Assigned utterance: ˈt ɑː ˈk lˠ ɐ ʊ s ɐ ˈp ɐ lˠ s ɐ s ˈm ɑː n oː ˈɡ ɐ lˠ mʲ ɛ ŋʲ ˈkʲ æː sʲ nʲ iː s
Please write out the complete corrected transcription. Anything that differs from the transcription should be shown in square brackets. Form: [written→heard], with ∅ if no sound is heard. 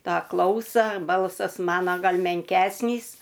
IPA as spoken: ˈt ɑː ˈk lˠ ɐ ʊ s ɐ [ˈp→ˈb] ɐ lˠ s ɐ s ˈm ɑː n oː ˈɡ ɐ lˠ mʲ ɛ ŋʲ ˈkʲ æː sʲ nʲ iː s